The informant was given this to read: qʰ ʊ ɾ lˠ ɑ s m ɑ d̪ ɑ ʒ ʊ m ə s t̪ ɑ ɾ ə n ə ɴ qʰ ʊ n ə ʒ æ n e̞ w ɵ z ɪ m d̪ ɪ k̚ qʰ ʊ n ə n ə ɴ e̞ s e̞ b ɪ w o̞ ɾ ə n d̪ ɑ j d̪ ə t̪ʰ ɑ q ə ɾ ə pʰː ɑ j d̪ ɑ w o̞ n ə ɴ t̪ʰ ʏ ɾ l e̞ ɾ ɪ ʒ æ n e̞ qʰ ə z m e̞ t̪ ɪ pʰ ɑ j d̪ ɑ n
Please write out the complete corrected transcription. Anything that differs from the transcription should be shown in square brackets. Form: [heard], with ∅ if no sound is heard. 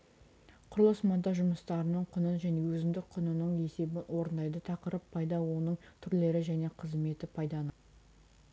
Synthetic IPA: qʰ ʊ ɾ lˠ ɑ s m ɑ d̪ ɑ ʒ ʊ m ə s t̪ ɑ ɾ ə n ə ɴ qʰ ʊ n ə ʒ æ n e̞ w ɵ z ɪ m d̪ ɪ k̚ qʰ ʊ n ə n ə ɴ e̞ s e̞ b ɪ w o̞ ɾ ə n d̪ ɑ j d̪ ə t̪ʰ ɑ q ə ɾ ə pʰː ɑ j d̪ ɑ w o̞ n ə ɴ t̪ʰ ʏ ɾ l e̞ ɾ ɪ ʒ æ n e̞ qʰ ə z m e̞ t̪ ɪ pʰ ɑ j d̪ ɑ n